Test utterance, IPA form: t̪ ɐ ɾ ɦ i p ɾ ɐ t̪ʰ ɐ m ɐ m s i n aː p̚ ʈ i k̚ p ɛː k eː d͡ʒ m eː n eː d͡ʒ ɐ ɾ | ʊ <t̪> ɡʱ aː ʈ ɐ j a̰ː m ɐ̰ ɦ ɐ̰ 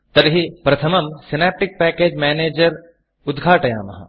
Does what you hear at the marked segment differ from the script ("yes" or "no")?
yes